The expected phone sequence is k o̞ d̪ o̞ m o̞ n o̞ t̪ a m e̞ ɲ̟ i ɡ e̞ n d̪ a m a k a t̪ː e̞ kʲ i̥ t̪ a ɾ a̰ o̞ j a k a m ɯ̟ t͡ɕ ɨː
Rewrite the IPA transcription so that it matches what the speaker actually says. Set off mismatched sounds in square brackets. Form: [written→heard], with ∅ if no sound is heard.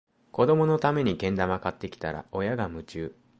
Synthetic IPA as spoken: k o̞ d̪ o̞ m o̞ n o̞ t̪ a m e̞ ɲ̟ i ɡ [e̞→ẽ̞] n d̪ a m a k a t̪ː e̞ kʲ i̥ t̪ a ɾ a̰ o̞ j a [k→ɡ] a m ɯ̟ t͡ɕ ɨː